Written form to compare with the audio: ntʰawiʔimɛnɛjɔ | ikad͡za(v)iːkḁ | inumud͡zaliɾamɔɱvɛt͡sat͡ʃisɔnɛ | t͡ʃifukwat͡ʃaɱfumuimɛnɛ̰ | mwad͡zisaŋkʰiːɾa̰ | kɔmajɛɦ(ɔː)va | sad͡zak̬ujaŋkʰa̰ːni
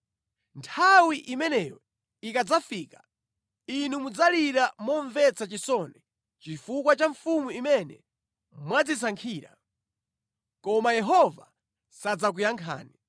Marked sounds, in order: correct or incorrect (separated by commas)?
incorrect, incorrect